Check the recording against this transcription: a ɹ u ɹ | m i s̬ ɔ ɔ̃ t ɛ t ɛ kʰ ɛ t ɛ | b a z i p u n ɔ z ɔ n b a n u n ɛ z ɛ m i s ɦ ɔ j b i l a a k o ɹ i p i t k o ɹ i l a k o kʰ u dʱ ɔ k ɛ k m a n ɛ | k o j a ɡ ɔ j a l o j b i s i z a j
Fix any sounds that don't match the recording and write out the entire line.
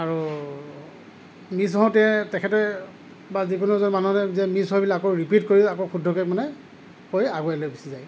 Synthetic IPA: a ɹ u | m i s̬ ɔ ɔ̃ t ɛ t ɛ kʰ ɛ t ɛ | b a z i k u n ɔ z ɔ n m a n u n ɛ z ɛ m i s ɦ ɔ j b i l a a k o ɹ i p i t k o ɹ i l a k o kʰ u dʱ ɔ k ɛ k m a n ɛ | k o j a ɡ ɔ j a l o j b i s i z a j